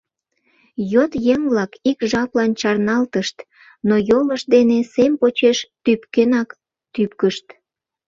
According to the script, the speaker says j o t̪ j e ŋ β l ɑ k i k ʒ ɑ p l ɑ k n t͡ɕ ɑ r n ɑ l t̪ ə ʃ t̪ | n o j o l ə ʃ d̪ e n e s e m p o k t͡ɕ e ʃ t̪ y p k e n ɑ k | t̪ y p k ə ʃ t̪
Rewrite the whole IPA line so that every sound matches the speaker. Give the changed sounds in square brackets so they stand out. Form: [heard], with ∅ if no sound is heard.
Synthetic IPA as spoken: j o t̪ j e ŋ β l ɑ k i k ʒ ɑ p l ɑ [∅] n t͡ɕ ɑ r n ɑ l t̪ ə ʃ t̪ | n o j o l ə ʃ d̪ e n e s e m p o [∅] t͡ɕ e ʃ t̪ y p k e n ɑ k | t̪ y p k ə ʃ t̪